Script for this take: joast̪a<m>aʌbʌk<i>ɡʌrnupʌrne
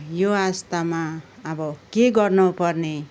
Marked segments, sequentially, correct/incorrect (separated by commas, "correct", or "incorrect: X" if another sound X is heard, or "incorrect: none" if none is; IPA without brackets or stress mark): correct, incorrect: e